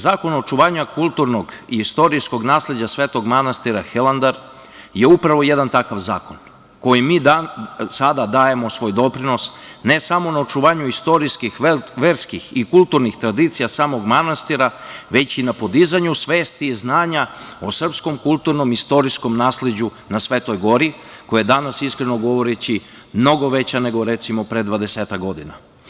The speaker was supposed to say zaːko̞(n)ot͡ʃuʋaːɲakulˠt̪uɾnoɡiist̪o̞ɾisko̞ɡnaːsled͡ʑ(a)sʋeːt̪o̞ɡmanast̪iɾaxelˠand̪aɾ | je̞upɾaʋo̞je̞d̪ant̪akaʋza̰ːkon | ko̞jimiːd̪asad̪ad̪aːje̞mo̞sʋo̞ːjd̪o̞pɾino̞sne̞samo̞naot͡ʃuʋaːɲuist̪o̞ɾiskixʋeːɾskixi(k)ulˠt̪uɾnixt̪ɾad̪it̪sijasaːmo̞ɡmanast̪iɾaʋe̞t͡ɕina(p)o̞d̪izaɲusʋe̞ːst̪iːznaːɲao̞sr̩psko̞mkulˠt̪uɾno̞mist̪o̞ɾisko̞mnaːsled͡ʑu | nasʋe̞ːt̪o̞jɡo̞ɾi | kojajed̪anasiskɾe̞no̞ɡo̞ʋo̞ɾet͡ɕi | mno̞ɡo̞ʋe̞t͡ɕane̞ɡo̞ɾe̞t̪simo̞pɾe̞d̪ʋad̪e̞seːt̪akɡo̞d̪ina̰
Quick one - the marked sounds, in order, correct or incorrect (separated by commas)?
correct, correct, correct, correct